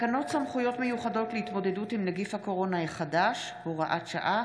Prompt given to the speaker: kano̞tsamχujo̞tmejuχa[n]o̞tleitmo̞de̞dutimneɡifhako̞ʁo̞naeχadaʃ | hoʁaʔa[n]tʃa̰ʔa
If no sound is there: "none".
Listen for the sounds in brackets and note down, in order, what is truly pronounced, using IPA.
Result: d, none

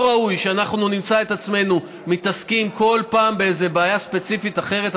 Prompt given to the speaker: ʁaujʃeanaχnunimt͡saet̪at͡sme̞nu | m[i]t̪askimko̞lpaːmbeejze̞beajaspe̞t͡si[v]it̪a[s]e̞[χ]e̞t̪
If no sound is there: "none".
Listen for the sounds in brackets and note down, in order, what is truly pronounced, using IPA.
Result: i, f, χ, ʁ

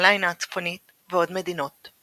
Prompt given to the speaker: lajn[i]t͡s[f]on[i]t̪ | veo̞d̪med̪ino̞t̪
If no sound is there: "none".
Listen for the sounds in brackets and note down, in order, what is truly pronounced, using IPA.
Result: a, f, i

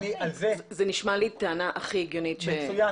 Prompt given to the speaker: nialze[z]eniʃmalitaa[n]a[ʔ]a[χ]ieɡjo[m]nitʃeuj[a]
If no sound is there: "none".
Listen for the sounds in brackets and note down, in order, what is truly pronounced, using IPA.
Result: z, n, ʔ, χ, none, a

